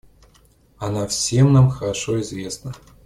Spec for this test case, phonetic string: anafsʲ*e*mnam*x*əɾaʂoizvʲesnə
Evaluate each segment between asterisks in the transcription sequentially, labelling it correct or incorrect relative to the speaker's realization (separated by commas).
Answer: correct, correct